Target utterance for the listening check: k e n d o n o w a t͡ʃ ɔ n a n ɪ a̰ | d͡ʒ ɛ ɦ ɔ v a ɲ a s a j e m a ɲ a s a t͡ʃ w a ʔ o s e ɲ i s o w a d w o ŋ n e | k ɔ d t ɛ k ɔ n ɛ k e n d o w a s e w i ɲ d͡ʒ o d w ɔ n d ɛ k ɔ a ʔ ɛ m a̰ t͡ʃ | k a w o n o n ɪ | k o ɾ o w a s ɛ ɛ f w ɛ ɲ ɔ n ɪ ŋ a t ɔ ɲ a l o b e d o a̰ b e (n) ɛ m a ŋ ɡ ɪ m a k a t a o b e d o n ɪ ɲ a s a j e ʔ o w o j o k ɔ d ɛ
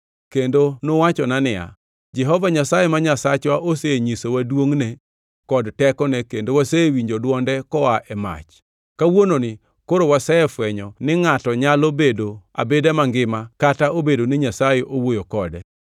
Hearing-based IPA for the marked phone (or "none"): d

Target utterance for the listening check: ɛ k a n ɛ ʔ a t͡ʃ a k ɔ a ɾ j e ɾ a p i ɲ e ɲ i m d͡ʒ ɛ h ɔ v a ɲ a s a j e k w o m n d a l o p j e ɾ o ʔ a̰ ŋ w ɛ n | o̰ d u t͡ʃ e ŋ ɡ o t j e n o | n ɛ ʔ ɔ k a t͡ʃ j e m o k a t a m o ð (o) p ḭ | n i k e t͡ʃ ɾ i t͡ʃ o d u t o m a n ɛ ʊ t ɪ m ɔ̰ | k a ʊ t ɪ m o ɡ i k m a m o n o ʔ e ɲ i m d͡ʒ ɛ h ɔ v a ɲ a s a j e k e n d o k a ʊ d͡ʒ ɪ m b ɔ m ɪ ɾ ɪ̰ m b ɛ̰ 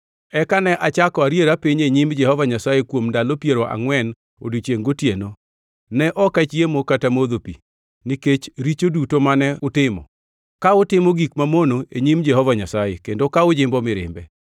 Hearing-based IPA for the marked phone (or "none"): o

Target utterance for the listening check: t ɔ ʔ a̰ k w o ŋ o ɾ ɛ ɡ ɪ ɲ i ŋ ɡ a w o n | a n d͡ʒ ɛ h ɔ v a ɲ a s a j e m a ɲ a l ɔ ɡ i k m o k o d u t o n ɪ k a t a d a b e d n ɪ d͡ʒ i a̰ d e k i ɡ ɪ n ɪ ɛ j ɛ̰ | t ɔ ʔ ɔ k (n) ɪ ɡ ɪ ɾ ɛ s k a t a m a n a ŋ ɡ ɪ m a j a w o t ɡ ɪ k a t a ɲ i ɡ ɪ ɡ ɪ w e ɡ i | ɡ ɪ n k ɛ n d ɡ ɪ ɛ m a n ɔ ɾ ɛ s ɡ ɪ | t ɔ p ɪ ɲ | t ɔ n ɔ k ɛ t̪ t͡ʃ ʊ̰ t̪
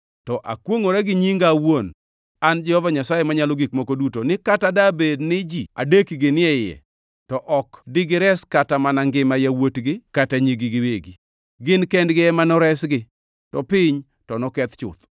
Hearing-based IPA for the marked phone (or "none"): d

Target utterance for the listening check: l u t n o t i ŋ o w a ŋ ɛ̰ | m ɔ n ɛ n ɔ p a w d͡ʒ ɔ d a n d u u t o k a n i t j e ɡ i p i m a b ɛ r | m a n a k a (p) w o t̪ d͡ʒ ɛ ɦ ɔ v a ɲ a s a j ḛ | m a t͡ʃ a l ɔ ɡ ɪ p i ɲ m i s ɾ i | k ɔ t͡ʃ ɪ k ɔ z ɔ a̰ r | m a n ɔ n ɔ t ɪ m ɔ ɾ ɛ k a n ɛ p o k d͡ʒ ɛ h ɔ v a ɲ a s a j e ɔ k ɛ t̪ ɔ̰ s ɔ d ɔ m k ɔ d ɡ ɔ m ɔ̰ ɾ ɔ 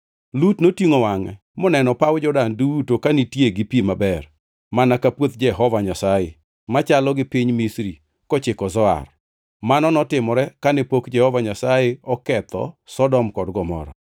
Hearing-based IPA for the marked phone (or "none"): p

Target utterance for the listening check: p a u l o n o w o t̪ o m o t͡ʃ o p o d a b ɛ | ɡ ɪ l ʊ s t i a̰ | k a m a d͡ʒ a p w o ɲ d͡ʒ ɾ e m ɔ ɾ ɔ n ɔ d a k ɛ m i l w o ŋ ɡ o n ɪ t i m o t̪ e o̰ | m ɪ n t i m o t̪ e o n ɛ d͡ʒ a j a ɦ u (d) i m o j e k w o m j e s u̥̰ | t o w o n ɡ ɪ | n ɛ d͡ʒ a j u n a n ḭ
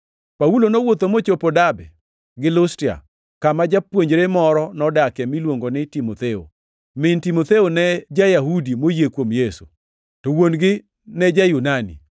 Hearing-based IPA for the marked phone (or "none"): d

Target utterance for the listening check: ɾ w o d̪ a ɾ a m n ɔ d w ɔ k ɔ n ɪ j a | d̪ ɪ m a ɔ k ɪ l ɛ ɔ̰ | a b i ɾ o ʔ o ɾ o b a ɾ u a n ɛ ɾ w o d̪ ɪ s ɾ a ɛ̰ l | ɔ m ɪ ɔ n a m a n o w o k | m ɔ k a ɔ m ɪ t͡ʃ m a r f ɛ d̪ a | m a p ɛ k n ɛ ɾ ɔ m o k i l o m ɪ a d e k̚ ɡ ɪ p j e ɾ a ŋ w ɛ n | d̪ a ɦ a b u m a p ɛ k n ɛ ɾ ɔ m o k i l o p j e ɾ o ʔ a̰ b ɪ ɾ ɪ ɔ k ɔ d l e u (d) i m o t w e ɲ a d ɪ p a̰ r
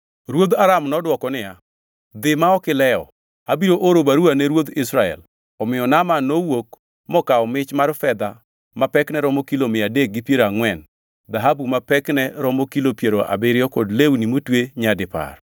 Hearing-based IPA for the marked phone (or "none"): n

